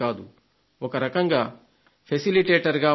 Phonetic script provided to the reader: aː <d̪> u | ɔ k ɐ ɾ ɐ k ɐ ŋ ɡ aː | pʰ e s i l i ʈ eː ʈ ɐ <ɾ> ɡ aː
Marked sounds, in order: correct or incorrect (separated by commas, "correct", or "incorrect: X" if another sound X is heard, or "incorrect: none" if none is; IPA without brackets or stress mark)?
correct, correct